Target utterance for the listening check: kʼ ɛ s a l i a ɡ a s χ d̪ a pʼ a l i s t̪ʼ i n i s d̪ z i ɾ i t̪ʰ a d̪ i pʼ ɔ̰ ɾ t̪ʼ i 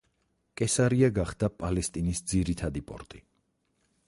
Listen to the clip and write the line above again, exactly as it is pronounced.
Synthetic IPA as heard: kʼ ɛ s a ɾ i a ɡ a χ d̪ a pʼ a l ɛ s t̪ʼ i n i s d̪ z i ɾ i t̪ʰ a d̪ i pʼ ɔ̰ ɾ t̪ʼ i